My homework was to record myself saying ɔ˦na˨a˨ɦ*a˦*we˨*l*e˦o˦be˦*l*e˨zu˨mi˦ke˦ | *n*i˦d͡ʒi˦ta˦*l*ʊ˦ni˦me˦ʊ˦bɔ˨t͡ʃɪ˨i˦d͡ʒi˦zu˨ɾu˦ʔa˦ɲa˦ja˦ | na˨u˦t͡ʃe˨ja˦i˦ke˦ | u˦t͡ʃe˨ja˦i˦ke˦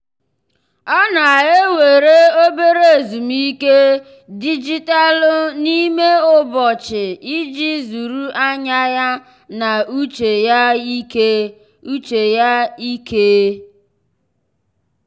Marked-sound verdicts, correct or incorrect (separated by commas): incorrect, incorrect, incorrect, incorrect, correct